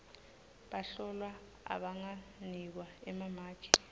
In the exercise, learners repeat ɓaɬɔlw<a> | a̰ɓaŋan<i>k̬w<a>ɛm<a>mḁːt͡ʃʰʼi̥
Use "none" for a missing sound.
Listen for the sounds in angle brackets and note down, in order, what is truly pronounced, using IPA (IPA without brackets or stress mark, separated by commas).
a, i, a, a